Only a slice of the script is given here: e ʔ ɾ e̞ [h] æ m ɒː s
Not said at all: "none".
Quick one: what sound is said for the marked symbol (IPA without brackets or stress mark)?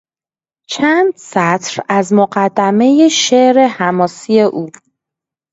h